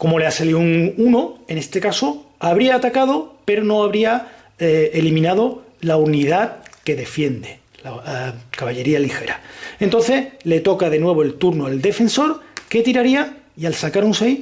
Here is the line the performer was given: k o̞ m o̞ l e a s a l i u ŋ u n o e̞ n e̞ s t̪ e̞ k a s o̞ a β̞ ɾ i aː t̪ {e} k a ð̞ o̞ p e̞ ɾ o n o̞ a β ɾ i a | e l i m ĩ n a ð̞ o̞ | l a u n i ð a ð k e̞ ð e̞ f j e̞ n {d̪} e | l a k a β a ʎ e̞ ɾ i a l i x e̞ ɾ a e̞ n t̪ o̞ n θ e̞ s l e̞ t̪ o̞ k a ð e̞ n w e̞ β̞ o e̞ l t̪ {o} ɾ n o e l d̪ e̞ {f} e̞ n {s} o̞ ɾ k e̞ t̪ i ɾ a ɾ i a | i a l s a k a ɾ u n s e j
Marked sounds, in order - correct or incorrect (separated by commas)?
incorrect, correct, incorrect, correct, correct